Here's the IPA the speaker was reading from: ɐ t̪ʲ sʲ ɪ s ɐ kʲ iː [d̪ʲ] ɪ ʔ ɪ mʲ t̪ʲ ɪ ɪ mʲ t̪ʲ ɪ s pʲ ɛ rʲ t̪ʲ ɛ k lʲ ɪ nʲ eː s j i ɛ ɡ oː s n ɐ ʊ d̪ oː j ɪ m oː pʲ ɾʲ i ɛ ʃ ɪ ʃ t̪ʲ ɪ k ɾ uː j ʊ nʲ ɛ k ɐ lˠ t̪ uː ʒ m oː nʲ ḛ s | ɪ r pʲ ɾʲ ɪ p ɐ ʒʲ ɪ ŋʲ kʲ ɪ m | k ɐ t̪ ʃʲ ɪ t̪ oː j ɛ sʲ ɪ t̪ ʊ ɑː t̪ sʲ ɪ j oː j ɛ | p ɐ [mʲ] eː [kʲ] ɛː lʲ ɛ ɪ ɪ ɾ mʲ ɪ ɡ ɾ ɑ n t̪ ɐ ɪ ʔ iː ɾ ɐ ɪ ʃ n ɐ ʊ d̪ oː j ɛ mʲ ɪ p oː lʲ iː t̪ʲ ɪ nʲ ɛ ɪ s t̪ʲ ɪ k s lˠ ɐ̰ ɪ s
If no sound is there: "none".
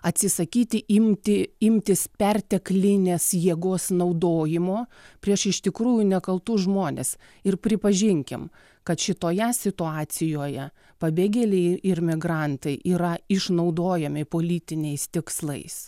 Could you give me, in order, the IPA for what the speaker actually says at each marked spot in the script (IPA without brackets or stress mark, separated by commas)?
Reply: t̪ʲ, bʲ, ɡʲ